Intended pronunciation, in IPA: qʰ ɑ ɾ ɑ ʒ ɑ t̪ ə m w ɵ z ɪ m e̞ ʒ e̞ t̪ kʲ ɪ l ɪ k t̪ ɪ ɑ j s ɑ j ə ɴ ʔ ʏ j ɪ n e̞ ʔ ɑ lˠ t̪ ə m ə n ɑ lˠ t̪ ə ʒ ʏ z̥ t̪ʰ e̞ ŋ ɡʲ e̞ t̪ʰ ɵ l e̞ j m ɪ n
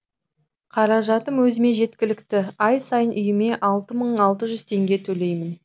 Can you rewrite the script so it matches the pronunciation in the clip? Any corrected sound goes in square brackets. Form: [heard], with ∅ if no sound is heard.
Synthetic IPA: qʰ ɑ ɾ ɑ ʒ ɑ t̪ ə m w ɵ z ɪ m e̞ ʒ e̞ t̪ kʲ ɪ l ɪ k t̪ ɪ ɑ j s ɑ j ə [n] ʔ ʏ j ɪ [m] e̞ ʔ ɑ lˠ t̪ ə m ə [ɴ] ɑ lˠ t̪ ə ʒ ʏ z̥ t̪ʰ e̞ ŋ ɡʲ e̞ t̪ʰ ɵ l e̞ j m ɪ n